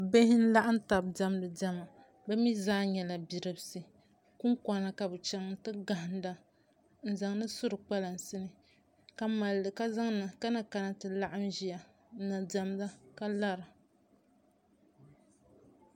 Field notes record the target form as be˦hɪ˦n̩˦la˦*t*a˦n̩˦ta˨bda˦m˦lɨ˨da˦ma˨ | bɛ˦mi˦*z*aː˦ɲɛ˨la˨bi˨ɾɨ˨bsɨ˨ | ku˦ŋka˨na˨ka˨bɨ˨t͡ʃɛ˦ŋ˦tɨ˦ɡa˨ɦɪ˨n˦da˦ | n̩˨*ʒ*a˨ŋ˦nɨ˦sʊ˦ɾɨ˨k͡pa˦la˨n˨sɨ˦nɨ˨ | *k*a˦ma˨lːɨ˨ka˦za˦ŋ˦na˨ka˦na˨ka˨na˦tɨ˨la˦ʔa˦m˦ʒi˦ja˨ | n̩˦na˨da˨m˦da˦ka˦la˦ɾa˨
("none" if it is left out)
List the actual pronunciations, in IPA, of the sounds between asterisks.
ʔ, z, z, k

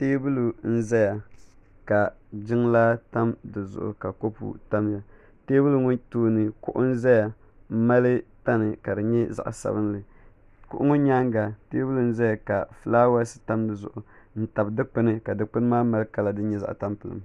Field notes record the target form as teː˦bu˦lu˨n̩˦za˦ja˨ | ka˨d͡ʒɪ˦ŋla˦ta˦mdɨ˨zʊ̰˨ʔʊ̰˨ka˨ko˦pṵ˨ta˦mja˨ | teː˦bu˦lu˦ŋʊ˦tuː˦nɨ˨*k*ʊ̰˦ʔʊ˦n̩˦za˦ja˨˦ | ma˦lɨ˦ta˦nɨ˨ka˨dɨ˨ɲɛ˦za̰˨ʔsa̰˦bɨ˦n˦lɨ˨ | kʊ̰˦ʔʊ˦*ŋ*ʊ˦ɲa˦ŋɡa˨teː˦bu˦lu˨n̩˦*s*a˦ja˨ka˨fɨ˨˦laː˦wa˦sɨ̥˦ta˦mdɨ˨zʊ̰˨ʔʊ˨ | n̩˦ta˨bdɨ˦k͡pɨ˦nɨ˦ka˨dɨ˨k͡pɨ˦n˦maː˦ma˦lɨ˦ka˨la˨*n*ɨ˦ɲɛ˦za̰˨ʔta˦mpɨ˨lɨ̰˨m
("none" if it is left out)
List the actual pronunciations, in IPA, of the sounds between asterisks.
k, ŋ, z, d

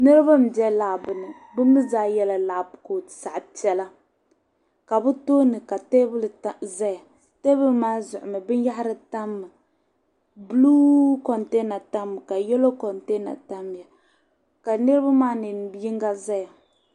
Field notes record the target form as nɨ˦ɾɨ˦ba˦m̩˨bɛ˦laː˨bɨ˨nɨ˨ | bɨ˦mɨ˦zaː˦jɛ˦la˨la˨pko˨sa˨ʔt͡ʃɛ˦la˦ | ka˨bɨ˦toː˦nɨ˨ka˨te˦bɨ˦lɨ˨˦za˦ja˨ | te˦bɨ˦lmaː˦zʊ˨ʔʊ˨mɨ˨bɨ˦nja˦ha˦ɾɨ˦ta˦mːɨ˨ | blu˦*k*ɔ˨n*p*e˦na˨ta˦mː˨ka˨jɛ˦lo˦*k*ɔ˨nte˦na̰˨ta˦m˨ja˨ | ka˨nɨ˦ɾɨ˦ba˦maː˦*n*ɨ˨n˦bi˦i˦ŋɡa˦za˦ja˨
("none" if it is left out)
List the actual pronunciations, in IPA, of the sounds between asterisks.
k, t, k, n

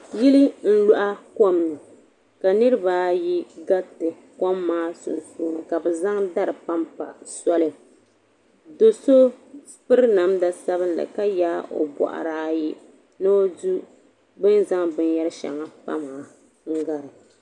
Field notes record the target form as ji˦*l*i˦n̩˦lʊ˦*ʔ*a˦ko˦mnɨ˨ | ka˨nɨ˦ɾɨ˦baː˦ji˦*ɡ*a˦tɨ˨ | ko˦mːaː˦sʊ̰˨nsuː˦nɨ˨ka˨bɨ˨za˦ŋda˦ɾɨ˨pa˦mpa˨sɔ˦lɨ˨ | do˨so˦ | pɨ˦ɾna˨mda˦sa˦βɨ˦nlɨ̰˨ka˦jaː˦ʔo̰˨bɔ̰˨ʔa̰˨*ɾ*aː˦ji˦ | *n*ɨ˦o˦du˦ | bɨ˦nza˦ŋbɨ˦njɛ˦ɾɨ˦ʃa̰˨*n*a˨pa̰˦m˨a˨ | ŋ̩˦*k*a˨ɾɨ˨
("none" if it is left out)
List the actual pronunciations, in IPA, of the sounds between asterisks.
l, ʔ, ɡ, ɾ, n, ŋ, ɡ

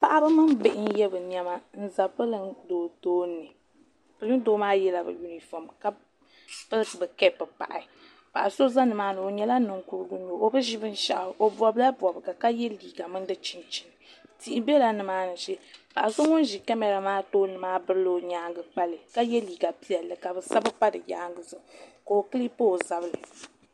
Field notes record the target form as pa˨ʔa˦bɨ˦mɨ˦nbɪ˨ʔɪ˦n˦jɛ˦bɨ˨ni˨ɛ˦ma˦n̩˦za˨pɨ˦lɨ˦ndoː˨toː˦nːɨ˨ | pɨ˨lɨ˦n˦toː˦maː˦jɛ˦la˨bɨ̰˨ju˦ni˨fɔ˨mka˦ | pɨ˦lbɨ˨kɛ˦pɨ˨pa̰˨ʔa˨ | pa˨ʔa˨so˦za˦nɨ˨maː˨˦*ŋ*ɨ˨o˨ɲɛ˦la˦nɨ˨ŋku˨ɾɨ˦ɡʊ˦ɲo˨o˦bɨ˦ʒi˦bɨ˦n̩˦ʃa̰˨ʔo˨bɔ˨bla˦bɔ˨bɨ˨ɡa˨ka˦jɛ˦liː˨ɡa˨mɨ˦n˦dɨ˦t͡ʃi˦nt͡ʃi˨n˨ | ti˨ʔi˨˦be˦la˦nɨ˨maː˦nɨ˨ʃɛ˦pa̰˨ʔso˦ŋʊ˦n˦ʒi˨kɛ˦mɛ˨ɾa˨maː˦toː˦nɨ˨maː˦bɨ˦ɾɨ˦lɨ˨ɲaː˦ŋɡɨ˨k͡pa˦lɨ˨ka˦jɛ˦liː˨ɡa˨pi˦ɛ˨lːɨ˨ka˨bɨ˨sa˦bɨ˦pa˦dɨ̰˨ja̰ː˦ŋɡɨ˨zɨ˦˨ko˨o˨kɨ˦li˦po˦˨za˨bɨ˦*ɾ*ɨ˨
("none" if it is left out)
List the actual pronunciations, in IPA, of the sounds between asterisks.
n, l

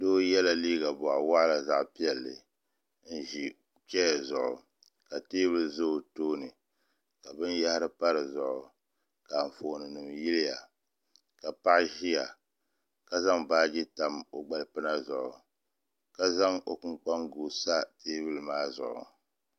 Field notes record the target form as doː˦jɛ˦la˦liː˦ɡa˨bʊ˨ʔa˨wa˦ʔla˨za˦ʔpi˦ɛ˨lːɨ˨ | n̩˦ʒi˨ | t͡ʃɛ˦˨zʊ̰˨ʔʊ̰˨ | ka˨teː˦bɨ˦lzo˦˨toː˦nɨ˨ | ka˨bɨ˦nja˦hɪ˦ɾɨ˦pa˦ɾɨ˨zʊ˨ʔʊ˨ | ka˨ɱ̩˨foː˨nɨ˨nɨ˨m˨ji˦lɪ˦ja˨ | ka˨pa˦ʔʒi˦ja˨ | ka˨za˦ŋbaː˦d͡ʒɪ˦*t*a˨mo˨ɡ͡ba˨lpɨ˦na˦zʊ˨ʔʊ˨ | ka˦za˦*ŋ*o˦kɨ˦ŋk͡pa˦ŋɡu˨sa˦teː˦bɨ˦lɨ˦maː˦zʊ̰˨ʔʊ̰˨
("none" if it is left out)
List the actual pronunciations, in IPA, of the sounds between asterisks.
t, ŋ

